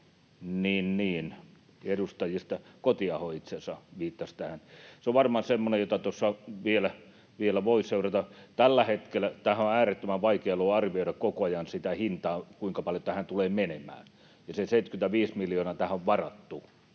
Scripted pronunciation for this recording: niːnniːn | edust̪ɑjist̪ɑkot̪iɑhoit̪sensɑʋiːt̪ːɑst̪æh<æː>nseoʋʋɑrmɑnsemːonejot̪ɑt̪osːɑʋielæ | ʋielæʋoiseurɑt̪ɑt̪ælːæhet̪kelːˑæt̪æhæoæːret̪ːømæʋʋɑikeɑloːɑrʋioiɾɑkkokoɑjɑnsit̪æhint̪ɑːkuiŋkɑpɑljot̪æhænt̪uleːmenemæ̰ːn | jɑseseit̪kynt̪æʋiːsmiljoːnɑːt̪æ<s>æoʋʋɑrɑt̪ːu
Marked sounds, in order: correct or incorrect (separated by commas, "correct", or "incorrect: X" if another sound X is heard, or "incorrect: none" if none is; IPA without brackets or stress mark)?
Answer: incorrect: æ, incorrect: h